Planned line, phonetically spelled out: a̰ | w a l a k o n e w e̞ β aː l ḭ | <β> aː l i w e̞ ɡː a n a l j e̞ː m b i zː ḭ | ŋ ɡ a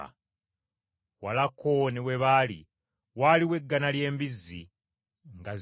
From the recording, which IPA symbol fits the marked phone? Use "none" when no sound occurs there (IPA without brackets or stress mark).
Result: w